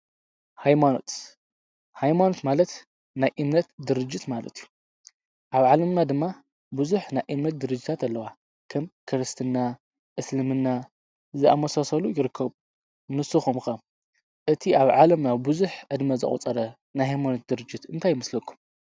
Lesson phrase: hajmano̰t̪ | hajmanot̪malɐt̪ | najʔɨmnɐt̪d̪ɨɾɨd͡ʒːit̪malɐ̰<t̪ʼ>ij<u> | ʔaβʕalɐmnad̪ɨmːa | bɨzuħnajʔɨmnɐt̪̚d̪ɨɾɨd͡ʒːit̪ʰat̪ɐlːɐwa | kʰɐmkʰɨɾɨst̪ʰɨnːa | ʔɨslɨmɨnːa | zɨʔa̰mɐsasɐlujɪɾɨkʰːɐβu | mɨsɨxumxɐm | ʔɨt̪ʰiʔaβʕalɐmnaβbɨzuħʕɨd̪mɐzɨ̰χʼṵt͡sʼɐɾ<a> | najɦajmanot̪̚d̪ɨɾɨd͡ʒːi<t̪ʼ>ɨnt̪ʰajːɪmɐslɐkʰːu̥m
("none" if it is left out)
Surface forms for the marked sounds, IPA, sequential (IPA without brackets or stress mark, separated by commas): t̪, u, ɐ, t̪